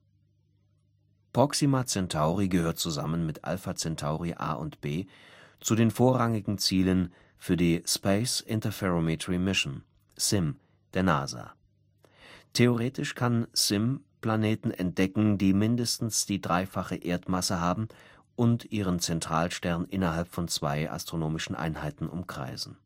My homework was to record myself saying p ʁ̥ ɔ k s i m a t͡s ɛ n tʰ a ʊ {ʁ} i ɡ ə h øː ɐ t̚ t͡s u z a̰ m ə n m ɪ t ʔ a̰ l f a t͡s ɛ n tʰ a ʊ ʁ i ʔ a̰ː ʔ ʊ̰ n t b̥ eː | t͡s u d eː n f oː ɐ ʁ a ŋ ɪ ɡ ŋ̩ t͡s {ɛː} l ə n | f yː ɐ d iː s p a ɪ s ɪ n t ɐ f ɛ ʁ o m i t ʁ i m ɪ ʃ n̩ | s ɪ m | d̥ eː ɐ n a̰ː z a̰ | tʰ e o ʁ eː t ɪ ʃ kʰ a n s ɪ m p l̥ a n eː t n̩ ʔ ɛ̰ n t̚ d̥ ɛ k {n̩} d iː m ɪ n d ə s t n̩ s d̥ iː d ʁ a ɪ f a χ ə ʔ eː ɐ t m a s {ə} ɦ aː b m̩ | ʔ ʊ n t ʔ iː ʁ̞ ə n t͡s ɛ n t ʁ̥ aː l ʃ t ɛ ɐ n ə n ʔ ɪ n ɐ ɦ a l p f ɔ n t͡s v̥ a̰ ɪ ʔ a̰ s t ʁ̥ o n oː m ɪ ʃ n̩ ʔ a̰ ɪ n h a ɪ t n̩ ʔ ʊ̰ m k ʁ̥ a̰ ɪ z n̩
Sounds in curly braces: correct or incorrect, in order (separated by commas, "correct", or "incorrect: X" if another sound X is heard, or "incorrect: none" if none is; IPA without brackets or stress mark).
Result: correct, incorrect: iː, incorrect: ŋ̩, correct